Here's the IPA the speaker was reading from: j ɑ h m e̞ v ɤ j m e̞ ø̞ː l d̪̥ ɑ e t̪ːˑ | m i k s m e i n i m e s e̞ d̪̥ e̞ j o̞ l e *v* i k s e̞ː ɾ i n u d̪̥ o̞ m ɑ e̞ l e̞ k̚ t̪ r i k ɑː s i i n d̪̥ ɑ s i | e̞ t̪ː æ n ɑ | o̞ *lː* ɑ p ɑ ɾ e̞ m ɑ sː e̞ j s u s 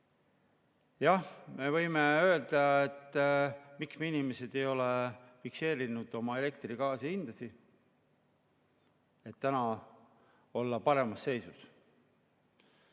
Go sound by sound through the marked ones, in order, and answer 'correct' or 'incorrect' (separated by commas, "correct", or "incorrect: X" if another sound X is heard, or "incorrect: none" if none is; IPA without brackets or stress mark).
incorrect: f, correct